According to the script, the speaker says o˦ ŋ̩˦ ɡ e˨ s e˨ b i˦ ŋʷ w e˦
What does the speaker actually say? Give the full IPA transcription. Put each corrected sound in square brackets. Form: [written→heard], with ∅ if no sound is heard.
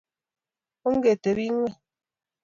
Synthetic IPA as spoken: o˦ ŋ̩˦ ɡ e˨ [s→t] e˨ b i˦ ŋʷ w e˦